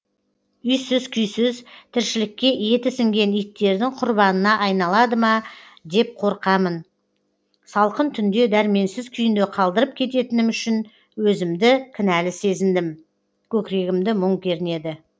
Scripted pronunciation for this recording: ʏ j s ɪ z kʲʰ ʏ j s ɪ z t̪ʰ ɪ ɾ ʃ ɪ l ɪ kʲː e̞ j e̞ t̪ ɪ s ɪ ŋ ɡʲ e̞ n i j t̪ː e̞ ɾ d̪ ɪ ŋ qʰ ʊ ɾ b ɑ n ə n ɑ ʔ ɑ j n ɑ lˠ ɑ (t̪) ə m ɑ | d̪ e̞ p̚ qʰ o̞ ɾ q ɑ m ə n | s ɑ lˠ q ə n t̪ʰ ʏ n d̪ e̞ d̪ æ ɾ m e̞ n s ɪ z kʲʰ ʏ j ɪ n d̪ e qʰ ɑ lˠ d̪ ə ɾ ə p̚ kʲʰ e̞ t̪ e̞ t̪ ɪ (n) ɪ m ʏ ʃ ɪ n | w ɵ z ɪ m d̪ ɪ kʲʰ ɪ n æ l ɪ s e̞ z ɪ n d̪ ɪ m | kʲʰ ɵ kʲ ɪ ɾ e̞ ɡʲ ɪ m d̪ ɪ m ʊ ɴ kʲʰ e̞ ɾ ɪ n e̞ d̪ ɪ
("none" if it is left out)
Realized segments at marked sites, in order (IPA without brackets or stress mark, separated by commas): d̪, n